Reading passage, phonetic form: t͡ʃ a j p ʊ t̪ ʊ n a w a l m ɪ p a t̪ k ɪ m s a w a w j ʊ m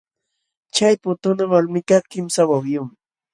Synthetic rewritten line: t͡ʃ a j p ʊ t̪ ʊ n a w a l m ɪ k a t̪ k ɪ m s a w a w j ʊ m

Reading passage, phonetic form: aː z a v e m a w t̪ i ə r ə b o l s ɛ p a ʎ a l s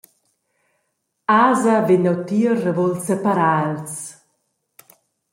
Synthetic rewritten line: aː z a v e n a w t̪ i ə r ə v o l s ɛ p a ɾ a l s

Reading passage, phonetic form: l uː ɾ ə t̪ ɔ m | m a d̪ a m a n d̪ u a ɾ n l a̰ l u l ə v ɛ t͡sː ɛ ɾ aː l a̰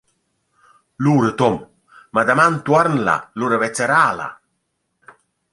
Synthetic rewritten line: l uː ɾ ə t̪ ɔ m | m a d̪ a m a n t̪ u a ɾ n l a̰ l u ɾ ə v ɛ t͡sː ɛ ɾ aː l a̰

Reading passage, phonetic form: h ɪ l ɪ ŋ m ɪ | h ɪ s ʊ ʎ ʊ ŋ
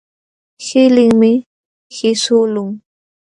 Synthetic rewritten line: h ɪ l ɪ ŋ m ɪ | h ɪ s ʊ l ʊ ŋ

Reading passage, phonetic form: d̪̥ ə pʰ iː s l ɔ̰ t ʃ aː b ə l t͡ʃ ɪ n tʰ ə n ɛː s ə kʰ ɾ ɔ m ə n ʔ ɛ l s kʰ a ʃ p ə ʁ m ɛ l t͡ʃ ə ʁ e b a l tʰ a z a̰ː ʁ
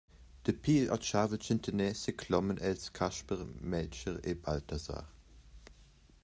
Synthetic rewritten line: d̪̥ ə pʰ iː l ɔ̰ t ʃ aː v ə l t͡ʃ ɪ n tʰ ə n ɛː s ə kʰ l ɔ m ə n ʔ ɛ l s kʰ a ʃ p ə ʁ m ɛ l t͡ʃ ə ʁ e b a l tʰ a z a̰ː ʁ

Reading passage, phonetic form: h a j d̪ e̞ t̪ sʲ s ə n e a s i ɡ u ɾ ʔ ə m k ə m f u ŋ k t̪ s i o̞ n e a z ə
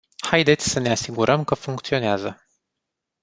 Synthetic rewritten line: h a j d̪ e̞ t̪ sʲ s ə n e a s i ɡ u ɾ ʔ ə m k ə f u ŋ k t̪ s i o̞ n e a z ə

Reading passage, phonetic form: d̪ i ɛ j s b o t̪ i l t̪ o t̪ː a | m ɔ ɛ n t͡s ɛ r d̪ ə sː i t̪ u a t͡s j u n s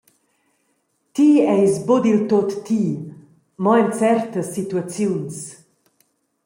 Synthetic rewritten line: t̪ i ɛ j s b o d̪ i l t̪ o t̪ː i | m ɔ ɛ n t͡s ɛ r t̪ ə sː i t̪ u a t͡s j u n s

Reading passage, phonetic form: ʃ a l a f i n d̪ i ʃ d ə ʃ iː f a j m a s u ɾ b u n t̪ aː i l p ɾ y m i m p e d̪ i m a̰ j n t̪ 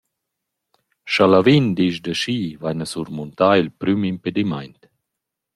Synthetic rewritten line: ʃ a l a v i n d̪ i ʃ d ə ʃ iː v a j n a s u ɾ m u n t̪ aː i l p ɾ y m i m p e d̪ i m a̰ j n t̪

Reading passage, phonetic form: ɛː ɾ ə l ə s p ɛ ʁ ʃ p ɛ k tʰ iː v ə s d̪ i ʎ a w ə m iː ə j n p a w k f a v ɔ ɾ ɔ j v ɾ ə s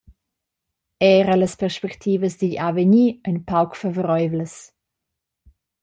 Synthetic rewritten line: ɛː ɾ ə l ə s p ɛ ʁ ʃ p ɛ k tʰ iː v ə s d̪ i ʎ a v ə ɲ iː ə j n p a w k f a v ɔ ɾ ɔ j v l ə s

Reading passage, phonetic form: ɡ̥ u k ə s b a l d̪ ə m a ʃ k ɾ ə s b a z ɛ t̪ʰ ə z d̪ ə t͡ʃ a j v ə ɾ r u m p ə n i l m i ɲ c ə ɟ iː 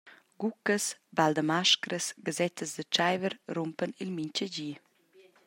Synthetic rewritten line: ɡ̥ u k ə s b a l d̪ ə m a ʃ k ɾ ə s ɡ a z ɛ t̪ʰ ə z d̪ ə t͡ʃ a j v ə ɾ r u m p ə n i l m i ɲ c ə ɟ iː

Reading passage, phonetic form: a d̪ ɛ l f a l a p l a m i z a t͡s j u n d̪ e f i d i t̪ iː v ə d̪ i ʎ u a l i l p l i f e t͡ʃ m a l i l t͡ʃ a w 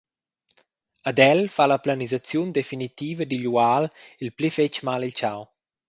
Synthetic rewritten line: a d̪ ɛ l f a l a p l a n i z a t͡s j u n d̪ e f i n i t̪ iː v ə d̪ i ʎ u a l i l p l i f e t͡ʃ m a l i l t͡ʃ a w

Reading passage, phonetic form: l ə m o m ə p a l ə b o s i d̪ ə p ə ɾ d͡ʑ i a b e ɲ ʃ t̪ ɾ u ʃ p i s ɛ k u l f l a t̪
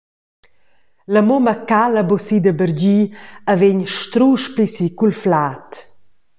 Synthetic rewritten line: l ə m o m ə k a l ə b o s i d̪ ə b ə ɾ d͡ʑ i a v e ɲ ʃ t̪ ɾ u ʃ p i s i k u l f l a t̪

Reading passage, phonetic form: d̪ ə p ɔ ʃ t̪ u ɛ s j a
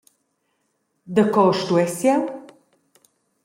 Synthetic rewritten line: d̪ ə k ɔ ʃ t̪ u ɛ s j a

